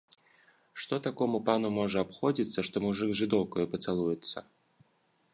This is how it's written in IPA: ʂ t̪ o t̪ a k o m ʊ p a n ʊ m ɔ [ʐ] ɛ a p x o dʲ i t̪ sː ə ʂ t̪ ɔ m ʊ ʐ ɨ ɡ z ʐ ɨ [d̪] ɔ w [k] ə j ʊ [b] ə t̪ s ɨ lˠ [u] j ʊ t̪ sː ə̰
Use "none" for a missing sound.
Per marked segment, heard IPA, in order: ʐ, d̪, k, p, u

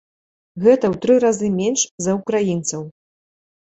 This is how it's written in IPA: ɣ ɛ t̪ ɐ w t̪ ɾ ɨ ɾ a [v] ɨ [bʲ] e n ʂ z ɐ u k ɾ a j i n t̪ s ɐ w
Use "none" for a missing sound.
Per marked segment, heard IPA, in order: z, mʲ

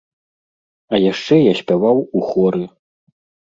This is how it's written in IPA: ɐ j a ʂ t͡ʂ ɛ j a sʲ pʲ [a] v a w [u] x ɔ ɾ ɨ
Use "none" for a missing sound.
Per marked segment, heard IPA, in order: a, u

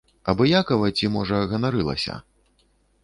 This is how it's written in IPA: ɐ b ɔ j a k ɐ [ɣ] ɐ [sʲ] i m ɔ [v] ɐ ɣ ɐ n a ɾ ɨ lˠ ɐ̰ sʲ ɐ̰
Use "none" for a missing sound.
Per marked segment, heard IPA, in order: v, t͡sʲ, ʐ

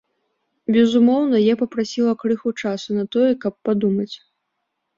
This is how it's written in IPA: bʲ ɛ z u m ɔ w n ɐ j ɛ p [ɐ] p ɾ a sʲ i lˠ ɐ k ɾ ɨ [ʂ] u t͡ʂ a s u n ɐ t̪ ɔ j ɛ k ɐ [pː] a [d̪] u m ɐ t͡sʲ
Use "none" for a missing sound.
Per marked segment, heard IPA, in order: ɐ, x, pː, d̪

